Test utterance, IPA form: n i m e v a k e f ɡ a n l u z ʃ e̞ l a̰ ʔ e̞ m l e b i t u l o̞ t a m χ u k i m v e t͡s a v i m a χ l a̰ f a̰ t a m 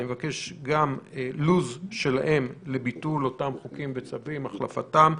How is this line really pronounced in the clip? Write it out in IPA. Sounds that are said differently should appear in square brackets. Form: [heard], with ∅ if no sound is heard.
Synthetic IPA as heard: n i m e v a k e [ʃ] ɡ a [m] l u z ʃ e̞ l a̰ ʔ e̞ m l e b i t u l o̞ t a m χ u k i m v e t͡s a v i m a χ l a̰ f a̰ t a m